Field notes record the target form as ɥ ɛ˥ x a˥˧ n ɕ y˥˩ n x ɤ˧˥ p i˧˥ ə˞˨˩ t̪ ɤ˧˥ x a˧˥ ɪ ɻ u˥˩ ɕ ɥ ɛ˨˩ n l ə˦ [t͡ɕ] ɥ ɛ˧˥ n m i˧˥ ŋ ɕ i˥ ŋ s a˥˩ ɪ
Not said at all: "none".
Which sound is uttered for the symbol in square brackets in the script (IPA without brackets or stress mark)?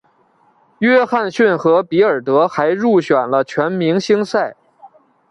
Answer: t͡ɕʰ